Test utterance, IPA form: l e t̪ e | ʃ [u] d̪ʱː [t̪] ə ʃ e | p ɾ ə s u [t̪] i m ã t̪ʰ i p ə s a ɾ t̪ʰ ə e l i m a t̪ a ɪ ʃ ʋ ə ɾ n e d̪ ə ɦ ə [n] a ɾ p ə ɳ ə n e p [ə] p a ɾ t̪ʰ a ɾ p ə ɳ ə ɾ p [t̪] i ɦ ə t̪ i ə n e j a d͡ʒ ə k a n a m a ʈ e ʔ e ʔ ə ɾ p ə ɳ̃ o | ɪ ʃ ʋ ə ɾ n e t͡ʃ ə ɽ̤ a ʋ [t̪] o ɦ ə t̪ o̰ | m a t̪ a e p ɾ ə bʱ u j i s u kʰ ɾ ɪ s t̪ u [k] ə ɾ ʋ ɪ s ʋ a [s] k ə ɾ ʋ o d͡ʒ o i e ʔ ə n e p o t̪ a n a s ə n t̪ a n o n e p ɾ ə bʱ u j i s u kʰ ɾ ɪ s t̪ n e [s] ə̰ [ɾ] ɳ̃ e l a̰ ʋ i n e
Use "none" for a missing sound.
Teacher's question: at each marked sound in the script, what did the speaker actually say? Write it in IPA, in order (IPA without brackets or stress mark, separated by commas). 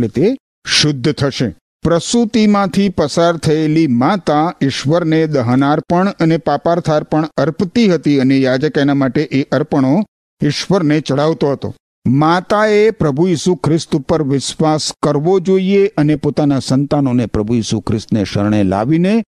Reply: ʊ, t̪ʰ, t̪, n, a, t̪, t̪, p, s, ʃ, ɾ